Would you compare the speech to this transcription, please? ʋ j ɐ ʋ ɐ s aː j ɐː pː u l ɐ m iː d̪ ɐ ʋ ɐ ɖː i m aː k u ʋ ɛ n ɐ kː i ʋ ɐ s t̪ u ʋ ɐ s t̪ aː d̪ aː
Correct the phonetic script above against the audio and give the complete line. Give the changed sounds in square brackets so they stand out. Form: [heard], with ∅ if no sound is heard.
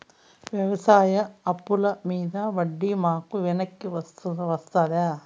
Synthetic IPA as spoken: ʋ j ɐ ʋ ɐ s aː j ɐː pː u l ɐ m iː d̪ ɐ ʋ ɐ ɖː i m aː k u ʋ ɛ n ɐ kː i ʋ ɐ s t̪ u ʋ ɐ s t̪ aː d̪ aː